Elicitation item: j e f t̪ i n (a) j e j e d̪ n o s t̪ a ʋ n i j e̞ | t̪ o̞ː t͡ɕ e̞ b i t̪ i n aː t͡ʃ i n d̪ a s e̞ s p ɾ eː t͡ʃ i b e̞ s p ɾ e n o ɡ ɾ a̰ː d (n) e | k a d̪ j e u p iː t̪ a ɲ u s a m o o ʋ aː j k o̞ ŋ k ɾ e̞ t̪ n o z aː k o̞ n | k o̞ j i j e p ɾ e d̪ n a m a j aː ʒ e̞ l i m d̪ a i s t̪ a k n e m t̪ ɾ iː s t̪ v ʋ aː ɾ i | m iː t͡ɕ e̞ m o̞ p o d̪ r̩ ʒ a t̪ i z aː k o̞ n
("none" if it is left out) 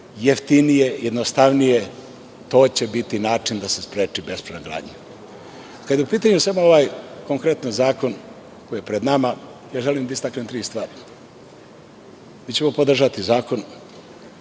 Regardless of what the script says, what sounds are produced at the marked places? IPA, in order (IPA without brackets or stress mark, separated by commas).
i, ɲ